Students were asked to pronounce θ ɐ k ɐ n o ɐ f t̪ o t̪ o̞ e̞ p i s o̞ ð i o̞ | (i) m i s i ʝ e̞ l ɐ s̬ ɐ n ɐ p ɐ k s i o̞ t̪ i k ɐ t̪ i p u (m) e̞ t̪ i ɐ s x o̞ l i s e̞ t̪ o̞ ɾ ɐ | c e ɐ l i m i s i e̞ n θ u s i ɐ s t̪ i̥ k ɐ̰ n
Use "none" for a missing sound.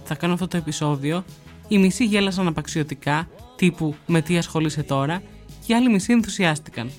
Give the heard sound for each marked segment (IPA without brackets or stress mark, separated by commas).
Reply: i, m